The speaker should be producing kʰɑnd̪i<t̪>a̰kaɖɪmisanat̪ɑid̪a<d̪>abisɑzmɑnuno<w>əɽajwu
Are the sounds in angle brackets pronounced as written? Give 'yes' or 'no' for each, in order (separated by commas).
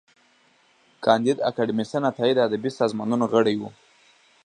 no, yes, no